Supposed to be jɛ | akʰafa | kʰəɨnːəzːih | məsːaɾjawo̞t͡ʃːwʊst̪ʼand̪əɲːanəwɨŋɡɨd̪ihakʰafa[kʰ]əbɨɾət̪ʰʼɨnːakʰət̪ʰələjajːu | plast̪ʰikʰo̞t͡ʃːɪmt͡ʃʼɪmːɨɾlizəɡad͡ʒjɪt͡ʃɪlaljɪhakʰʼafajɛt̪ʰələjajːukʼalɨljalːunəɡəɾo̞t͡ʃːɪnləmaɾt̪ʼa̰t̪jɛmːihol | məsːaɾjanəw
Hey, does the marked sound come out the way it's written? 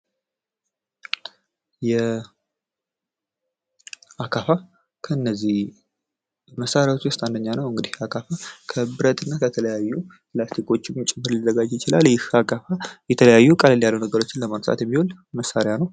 yes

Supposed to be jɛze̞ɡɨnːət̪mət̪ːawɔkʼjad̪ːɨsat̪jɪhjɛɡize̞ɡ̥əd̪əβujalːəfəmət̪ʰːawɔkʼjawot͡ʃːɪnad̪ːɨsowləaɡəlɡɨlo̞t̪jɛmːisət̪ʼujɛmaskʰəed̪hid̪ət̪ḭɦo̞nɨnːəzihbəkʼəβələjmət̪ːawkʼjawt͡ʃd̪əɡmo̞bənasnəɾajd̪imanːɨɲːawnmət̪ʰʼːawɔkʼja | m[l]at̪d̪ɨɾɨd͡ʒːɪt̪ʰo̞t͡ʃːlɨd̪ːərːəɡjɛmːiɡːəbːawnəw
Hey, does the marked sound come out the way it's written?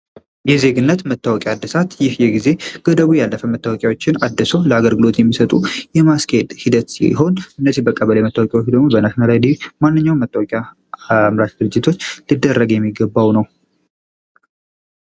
no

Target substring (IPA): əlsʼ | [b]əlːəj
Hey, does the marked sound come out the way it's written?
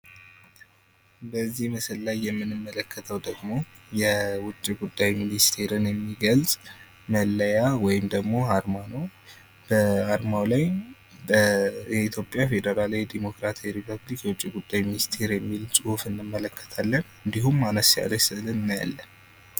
no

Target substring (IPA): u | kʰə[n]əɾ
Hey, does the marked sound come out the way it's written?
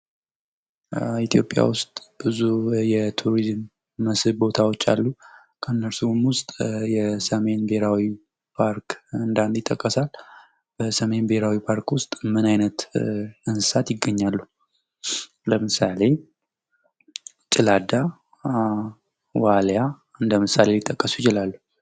no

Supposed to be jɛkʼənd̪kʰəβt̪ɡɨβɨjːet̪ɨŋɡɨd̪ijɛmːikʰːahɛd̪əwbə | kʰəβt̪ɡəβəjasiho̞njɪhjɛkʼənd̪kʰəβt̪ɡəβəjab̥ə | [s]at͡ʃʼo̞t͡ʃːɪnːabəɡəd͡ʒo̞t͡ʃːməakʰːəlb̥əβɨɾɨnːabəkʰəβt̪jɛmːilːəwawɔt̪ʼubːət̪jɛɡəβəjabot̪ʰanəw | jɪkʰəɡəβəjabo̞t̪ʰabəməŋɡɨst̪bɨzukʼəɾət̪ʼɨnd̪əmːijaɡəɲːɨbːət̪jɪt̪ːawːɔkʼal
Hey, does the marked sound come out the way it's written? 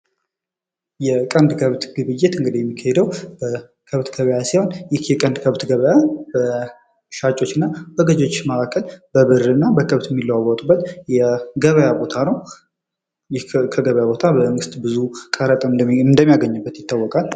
no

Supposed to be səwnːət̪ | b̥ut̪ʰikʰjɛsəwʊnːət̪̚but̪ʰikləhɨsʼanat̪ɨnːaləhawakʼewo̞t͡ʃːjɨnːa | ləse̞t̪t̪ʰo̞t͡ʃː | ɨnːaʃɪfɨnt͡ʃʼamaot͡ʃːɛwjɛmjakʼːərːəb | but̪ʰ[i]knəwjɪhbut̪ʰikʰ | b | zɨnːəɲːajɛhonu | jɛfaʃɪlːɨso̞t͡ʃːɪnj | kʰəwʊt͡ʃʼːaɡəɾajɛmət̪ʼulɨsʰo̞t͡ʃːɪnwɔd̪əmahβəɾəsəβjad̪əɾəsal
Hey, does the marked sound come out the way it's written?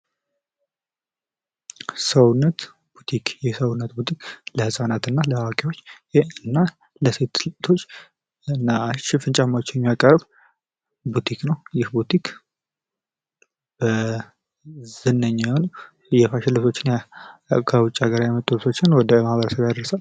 yes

